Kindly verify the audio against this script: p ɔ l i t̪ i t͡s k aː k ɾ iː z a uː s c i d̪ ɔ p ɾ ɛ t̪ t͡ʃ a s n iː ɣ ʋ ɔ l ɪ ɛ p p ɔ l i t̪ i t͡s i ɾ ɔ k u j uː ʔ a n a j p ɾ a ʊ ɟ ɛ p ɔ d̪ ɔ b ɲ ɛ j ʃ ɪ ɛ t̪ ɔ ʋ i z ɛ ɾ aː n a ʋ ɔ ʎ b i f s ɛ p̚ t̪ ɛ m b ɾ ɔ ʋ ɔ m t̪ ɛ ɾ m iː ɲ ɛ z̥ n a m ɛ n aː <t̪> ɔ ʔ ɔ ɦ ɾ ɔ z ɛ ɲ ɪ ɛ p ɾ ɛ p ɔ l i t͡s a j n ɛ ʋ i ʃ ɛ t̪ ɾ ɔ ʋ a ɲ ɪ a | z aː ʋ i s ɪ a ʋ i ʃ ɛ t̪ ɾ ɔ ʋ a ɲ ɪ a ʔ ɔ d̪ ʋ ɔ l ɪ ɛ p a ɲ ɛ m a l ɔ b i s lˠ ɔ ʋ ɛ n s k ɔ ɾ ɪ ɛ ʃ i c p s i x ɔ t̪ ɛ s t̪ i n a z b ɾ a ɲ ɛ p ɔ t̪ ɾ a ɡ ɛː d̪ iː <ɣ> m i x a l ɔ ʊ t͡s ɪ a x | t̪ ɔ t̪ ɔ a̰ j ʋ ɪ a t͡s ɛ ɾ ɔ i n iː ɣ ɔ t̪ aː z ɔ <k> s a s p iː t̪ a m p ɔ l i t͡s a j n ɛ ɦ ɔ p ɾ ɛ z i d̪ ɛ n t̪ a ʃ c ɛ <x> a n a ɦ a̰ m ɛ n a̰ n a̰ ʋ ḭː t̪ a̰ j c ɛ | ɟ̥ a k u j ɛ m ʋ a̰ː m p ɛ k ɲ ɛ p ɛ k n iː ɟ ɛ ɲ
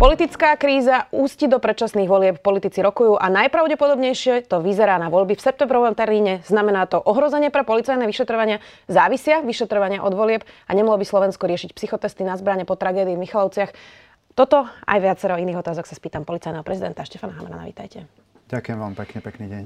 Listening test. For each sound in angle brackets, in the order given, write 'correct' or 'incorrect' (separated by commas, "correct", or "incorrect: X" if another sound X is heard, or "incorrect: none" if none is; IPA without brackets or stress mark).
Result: correct, incorrect: v, correct, incorrect: f